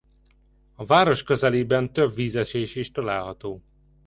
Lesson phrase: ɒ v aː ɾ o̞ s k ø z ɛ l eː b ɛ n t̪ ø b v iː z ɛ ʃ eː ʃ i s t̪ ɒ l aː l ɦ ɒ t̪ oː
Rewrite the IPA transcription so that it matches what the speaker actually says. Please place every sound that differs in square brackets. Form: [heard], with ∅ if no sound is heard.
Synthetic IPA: ɒ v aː ɾ o̞ [ʃ] k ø z ɛ l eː b ɛ n t̪ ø b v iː z ɛ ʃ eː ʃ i [ʃ] t̪ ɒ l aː l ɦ ɒ t̪ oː